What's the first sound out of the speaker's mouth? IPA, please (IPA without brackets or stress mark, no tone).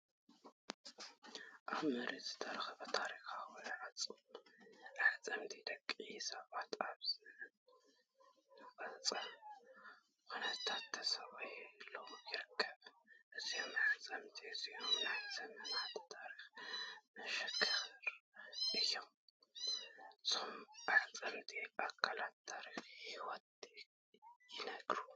ʔ